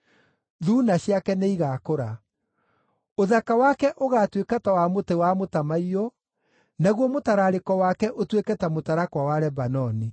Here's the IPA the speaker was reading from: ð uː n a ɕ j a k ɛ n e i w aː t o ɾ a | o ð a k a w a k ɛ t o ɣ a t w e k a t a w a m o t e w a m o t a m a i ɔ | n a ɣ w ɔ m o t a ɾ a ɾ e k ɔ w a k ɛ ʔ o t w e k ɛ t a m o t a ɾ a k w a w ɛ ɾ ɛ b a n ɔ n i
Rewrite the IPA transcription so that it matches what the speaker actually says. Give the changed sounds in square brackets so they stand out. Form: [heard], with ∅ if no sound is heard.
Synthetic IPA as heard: ð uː n a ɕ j a k ɛ n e i [ɣ] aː [k] o ɾ a | o ð a k a w a k ɛ [ʔ] o ɣ a t w e k a t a w a m o t e w a m o t a m a i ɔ | n a ɣ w ɔ m o t a ɾ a ɾ e k ɔ w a k ɛ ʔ o t w e k ɛ t a m o t a ɾ a k w a w [a] ɾ ɛ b a n ɔ n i

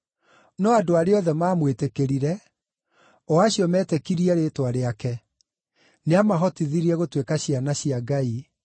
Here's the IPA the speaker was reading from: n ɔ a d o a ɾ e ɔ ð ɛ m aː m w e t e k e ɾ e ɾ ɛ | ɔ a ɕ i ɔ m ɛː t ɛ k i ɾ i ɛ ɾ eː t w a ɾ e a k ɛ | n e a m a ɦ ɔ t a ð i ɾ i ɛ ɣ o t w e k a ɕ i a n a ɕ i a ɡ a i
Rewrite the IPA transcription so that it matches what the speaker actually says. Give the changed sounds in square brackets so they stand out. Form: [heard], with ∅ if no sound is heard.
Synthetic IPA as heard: n ɔ a d o a ɾ e ɔ ð ɛ m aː m w e t e k e ɾ [i] ɾ ɛ | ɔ a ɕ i ɔ m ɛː t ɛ k i ɾ i ɛ ɾ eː t w a ɾ e a k ɛ | n e a m a ɦ ɔ t [i] ð i ɾ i ɛ ɣ o t w e k a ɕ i a n a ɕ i a ɡ a i

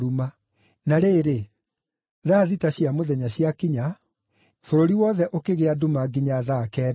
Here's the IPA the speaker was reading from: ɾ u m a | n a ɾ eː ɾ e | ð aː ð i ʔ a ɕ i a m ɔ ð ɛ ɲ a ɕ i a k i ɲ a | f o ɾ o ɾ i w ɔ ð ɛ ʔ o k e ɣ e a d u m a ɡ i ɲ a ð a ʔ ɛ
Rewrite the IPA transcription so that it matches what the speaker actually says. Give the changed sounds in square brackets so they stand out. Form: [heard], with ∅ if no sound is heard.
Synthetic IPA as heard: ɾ u m a | n a ɾ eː ɾ e | ð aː ð i [t] a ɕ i a m [o] ð ɛ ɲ a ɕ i a k i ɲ a | f o ɾ o ɾ i w ɔ ð ɛ ʔ o k e ɣ e a d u m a ɡ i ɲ a ð a [k] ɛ

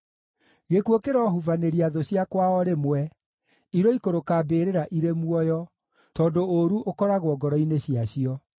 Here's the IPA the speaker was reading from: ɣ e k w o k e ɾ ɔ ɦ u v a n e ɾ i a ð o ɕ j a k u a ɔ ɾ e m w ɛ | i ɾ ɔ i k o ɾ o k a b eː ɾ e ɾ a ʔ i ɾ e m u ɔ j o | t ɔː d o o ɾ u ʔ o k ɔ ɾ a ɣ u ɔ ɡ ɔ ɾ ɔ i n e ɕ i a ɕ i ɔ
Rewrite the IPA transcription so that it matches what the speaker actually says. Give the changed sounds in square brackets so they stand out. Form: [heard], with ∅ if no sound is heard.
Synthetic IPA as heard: ɣ e k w o k e ɾ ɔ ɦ u v a n e ɾ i a ð o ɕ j a k [w] a ɔ ɾ e m w ɛ | i ɾ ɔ i k o ɾ o k a b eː ɾ e ɾ a ʔ i ɾ e m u ɔ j [ɔ] | t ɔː d o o ɾ u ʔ o k ɔ ɾ a ɣ [w] ɔ ɡ ɔ ɾ ɔ i n e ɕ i a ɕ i ɔ

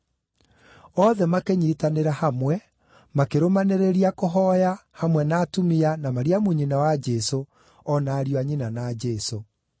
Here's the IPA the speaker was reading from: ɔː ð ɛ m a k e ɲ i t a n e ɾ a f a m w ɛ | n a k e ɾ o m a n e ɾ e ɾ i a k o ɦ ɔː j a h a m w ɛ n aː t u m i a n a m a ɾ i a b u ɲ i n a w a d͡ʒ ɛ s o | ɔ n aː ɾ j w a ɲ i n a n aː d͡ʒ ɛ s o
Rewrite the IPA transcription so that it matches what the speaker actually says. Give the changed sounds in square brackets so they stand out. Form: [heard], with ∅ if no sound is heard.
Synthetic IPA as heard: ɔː ð ɛ m a k e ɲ i t a n e ɾ a [h] a m w ɛ | [m] a k e ɾ o m a n e ɾ e ɾ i a k o ɦ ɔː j a h a m w ɛ n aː t u m i a n a m a ɾ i a [m] u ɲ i n a w a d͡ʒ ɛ s o | ɔ n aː ɾ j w a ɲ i n a n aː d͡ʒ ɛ s o

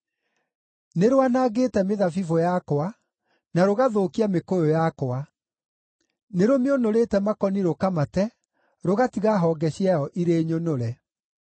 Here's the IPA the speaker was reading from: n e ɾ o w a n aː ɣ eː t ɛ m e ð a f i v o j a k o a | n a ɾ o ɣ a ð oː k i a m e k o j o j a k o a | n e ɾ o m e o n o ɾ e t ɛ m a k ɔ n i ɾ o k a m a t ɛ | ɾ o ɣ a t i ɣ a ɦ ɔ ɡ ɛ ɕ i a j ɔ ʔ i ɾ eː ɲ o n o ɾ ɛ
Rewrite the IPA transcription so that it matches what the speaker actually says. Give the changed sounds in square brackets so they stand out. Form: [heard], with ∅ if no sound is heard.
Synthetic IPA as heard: n e ɾ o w a n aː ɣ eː t ɛ m e ð a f i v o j a k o a | n a ɾ o ɣ a ð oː k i a m e k o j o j a k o a | n e ɾ o m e o n o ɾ e t ɛ m a k ɔ n i ɾ o k a m a t ɛ | ɾ o ɣ a t i ɣ a ɦ ɔ ɡ ɛ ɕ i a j ɔ ʔ i ɾ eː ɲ o n o ɾ ɛ

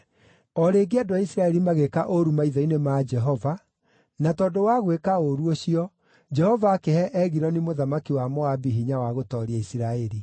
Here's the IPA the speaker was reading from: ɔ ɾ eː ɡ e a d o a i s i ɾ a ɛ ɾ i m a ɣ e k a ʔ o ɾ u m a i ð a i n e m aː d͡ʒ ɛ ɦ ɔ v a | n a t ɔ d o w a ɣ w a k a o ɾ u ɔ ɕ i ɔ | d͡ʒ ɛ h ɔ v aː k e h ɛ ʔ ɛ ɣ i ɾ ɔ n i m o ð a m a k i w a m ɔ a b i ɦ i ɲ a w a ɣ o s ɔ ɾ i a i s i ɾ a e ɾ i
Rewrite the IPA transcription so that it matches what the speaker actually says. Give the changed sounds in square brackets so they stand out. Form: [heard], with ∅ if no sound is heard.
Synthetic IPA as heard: ɔ ɾ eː ɡ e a d o a i s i ɾ a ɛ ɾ i m a ɣ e k a ʔ o ɾ u m a i ð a i n e m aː d͡ʒ ɛ ɦ ɔ v a | n a t ɔ d o w a ɣ w [e] k a o ɾ u [o] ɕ i ɔ | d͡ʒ ɛ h ɔ v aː k e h ɛ ʔ ɛ ɣ i ɾ ɔ n i m o ð a m a k i w a m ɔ a b i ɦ i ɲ a w a ɣ o [t] ɔ ɾ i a i s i ɾ a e ɾ i

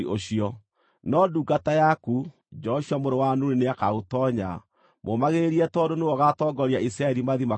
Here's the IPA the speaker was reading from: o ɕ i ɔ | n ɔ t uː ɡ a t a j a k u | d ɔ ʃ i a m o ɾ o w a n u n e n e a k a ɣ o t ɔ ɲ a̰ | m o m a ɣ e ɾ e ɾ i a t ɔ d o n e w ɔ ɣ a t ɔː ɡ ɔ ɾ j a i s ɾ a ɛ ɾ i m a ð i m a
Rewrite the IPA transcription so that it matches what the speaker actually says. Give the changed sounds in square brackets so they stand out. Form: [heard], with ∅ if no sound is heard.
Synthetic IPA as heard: o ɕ i ɔ | n ɔ [d] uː ɡ a t a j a k u | [d͡ʒ] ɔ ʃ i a m o ɾ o w a n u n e n e a k a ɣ o t ɔ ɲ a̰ | m o m a ɣ e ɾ e ɾ i [ɛ] t ɔ d o n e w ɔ ɣ a t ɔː ɡ ɔ ɾ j a i s ɾ a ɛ ɾ i m a ð i m a

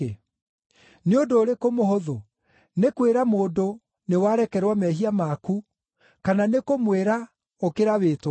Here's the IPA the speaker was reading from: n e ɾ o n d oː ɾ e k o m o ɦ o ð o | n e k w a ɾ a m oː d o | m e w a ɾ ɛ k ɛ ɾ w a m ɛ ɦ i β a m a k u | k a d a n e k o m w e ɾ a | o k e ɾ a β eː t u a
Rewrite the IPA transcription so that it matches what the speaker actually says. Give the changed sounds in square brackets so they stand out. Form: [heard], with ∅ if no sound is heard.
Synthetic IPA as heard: n e [∅] o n d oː ɾ e k o m o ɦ o ð o | n e k w [e] ɾ a m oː d o | [n] e w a ɾ ɛ k ɛ ɾ w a m ɛ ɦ i [∅] a m a k u | k a [n] a n e k o m w e ɾ a | o k e ɾ a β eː t [w] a

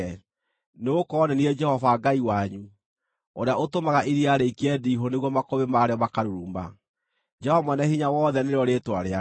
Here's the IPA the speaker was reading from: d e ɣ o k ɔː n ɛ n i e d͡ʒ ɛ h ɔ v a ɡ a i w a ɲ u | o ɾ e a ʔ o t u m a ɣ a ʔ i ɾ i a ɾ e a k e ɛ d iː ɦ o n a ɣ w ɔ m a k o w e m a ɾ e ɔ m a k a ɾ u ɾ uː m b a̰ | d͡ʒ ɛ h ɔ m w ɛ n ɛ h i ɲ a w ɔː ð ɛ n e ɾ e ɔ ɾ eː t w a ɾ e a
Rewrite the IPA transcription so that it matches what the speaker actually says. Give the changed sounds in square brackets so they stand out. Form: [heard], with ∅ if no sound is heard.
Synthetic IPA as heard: [n] e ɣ o k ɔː n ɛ n i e d͡ʒ ɛ h ɔ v a ɡ a i w a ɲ u | o ɾ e a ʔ o t [o] m a ɣ a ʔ i ɾ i a ɾ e [i] k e ɛ d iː ɦ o n [e] ɣ w ɔ m a k o [β] e m a ɾ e ɔ m a k a ɾ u ɾ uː m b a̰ | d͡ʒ ɛ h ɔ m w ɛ n ɛ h i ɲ a w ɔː ð ɛ n e ɾ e ɔ ɾ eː t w a ɾ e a

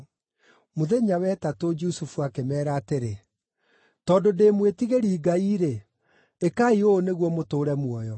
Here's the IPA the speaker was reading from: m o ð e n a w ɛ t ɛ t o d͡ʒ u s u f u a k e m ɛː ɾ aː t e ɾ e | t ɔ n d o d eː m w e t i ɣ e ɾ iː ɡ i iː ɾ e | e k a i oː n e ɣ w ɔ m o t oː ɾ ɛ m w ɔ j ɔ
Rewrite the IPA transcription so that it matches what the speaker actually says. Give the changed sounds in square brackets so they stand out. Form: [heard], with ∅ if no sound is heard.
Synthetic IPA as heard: m o ð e [ɲ] a w ɛ t [a] t o d͡ʒ u s u f u a k e m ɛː ɾ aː t e ɾ e | t ɔ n d o d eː m w e t i ɣ e ɾ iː ɡ [a] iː ɾ e | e k a i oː n e ɣ w ɔ m o t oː ɾ ɛ m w ɔ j ɔ

